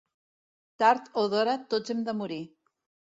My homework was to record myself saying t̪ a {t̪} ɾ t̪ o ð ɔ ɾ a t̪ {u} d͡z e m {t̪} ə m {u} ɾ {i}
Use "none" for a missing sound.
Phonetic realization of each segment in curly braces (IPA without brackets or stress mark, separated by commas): none, o, d̪, u, i